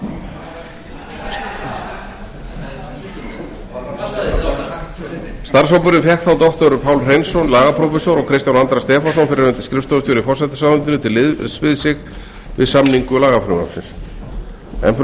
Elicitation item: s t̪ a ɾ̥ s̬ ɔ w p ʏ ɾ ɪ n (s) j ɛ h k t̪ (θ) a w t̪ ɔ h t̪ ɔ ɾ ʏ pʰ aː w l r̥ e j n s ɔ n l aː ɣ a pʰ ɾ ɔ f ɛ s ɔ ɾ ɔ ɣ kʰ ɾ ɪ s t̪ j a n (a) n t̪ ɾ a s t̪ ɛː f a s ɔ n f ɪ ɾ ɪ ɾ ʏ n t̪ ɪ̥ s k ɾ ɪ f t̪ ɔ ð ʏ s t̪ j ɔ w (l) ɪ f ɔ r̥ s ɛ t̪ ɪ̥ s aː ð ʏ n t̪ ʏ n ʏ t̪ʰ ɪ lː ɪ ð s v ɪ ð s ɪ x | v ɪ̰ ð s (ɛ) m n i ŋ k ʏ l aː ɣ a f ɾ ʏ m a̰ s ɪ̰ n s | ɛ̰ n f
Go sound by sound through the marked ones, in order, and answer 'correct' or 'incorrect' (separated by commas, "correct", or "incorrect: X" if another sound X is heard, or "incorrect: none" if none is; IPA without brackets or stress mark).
incorrect: f, correct, correct, incorrect: ɾ, incorrect: a